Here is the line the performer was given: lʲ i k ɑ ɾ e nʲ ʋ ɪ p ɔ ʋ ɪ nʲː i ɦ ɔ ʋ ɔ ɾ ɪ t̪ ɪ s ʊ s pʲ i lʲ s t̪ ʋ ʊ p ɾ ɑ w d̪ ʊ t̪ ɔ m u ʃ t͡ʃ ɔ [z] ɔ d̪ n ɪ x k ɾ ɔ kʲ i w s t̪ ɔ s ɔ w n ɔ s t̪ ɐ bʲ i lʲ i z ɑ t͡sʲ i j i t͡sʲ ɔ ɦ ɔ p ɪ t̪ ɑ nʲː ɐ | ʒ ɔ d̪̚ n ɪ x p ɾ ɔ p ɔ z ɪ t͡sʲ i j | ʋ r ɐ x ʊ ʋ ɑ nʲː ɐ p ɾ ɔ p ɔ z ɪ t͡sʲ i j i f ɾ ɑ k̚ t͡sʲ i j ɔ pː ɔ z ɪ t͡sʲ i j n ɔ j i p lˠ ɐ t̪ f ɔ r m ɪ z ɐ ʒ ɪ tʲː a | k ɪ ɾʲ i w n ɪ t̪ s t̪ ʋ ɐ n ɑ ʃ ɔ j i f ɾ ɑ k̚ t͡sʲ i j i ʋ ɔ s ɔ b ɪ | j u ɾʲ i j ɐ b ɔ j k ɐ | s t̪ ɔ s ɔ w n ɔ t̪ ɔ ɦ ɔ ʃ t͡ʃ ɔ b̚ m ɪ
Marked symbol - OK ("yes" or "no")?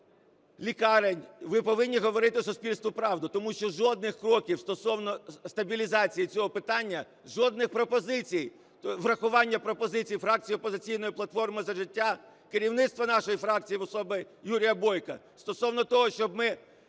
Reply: no